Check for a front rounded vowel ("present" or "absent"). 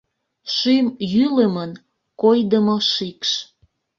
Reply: present